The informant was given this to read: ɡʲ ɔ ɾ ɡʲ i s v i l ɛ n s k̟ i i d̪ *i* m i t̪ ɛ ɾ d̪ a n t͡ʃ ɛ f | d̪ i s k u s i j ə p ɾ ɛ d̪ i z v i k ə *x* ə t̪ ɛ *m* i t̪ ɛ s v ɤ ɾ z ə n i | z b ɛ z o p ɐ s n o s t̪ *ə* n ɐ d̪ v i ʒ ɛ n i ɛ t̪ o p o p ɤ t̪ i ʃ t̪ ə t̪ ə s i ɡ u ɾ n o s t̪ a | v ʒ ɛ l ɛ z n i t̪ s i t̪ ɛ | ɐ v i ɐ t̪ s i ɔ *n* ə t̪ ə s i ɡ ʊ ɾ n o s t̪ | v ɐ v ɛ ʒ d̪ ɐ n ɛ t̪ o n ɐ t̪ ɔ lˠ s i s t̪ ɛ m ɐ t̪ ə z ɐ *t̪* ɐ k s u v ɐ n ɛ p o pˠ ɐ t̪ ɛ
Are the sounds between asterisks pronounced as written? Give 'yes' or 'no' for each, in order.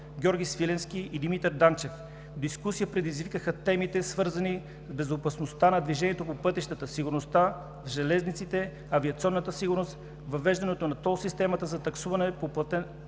yes, yes, yes, no, no, yes

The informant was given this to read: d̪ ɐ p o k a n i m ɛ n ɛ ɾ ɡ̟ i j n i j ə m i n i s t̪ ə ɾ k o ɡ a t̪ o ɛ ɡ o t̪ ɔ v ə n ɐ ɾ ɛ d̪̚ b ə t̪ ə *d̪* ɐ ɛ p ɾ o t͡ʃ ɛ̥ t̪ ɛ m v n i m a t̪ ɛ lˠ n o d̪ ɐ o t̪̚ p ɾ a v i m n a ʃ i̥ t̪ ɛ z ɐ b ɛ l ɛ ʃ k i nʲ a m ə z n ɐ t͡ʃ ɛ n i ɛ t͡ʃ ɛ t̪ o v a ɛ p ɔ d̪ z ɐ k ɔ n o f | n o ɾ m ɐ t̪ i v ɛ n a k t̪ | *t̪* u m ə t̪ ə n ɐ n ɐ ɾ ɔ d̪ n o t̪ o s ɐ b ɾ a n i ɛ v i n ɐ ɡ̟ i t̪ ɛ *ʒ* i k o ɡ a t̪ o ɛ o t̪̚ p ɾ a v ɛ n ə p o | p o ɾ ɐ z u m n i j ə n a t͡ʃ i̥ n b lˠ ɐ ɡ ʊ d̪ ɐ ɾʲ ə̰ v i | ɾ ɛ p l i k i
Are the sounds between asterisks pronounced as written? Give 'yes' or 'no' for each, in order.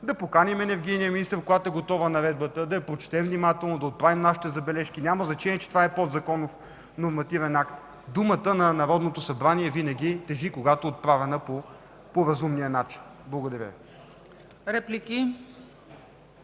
yes, no, yes

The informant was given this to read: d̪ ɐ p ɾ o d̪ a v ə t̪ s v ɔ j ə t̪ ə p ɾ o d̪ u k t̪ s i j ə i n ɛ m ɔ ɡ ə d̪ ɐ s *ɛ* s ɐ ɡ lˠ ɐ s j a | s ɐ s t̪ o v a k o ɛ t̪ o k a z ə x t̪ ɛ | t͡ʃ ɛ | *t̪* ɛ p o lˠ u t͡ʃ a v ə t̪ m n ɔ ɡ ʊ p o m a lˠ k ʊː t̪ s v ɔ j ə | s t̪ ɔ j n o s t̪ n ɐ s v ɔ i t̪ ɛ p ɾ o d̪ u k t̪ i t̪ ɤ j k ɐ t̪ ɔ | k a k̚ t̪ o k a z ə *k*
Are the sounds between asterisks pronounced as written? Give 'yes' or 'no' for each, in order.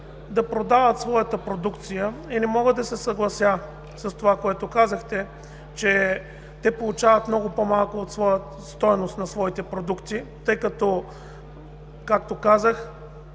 yes, yes, no

